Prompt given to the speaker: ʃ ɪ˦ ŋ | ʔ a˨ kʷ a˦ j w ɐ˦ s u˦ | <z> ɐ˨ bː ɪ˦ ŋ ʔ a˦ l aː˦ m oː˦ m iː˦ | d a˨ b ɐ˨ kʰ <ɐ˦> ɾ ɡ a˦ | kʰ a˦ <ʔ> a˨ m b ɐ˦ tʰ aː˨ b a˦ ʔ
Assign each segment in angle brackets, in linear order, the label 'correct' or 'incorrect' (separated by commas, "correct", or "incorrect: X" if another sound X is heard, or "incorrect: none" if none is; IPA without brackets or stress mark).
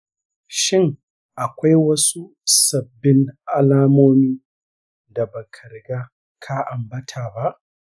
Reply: incorrect: s, incorrect: ɐ˨, correct